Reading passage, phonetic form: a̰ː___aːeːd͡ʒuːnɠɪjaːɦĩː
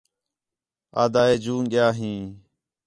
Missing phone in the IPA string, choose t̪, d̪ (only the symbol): d̪